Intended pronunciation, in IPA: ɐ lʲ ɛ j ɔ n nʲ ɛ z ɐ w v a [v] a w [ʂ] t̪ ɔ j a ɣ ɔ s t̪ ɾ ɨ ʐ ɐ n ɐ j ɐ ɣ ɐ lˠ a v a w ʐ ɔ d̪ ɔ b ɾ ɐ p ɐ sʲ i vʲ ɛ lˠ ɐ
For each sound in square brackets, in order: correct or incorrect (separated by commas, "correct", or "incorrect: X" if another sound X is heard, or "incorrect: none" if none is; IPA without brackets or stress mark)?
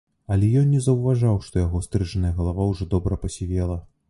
incorrect: ʐ, correct